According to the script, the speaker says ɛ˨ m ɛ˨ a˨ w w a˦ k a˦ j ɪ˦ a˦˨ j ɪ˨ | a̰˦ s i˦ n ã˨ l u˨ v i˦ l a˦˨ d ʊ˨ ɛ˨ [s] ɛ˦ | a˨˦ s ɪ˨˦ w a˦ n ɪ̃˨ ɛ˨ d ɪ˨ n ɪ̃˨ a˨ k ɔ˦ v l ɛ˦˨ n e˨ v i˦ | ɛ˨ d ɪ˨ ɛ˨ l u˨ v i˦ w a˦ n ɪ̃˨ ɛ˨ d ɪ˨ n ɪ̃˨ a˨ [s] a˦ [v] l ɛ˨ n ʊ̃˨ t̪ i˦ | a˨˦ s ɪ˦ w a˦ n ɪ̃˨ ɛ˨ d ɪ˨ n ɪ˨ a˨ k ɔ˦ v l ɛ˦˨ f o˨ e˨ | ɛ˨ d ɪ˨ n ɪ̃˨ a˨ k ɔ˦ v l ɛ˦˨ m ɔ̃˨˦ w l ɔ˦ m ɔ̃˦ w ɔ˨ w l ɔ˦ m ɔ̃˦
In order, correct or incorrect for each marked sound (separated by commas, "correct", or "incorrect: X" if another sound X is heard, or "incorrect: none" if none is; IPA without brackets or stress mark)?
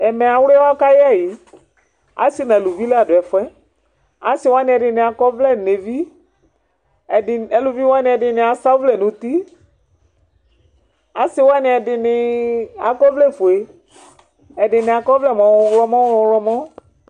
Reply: incorrect: f, correct, correct